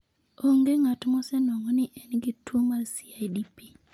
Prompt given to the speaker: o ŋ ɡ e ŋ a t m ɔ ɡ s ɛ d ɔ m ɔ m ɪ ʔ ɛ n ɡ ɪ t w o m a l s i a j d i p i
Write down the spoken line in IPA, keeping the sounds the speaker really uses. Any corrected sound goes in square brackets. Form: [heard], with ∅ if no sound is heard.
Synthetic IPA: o ŋ ɡ e ŋ a t m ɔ [∅] s ɛ [n] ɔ [ŋ] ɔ [n] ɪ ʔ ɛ n ɡ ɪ t w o m a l s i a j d i p i